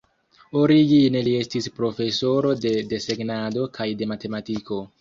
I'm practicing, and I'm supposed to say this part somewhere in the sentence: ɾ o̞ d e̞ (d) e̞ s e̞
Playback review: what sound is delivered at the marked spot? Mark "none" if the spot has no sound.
d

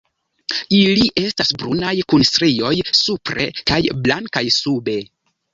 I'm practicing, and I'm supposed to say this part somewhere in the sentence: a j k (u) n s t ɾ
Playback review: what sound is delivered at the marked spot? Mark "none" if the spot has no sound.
u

